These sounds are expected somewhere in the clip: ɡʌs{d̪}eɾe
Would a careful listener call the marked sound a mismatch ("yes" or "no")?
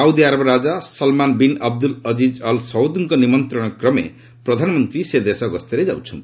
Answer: yes